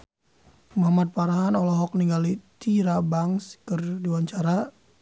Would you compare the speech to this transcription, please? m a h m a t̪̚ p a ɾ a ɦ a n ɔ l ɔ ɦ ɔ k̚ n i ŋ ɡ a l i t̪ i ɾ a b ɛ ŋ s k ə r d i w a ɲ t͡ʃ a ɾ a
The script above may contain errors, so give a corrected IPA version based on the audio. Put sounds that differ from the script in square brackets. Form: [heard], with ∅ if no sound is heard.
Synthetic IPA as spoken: m a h m a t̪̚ p a ɾ a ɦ a n ɔ l ɔ ɦ ɔ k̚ n i ŋ ɡ a l i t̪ i ɾ a b [a] ŋ s k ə r d i w a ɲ t͡ʃ a ɾ a